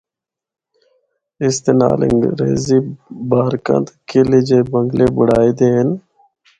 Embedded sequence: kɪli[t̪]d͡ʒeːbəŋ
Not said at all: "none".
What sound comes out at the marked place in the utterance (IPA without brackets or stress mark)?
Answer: none